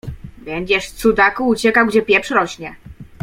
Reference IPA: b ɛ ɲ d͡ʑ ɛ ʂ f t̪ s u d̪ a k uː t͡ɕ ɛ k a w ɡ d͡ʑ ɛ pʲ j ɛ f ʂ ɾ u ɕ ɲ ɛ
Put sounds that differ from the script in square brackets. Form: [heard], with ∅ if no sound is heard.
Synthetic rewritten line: b ɛ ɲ d͡ʑ ɛ ʂ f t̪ s u d̪ a k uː t͡ɕ ɛ k a w ɡ d͡ʑ ɛ pʲ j ɛ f ʂ ɾ [ɔ] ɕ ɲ ɛ